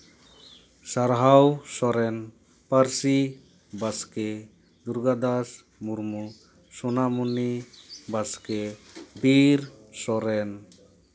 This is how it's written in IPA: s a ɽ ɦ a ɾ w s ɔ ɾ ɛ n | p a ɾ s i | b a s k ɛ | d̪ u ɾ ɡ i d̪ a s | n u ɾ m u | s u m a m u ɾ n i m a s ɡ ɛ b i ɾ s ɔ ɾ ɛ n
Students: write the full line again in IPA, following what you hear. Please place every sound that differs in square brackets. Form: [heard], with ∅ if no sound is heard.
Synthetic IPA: s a [ɾ] ɦ a [∅] w s ɔ ɾ ɛ n | p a ɾ s i | b a s k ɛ | d̪ u ɾ ɡ [a] d̪ a s | [m] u ɾ m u | s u [n] a m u [∅] n i [b] a s [k] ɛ b i ɾ s ɔ ɾ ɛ n